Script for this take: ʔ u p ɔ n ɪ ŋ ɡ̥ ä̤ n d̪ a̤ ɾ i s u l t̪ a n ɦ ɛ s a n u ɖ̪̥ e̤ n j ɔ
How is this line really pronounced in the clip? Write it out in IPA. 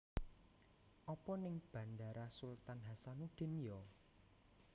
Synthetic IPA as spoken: ʔ ɔ p ɔ n ɪ ŋ b̥ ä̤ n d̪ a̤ ɾ a s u l t̪ a n ɦ a s a n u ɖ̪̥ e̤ n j ɔ